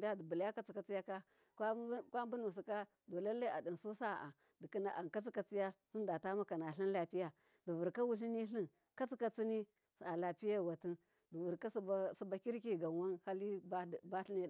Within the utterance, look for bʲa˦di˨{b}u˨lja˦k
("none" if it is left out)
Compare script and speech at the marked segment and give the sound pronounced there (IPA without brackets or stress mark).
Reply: b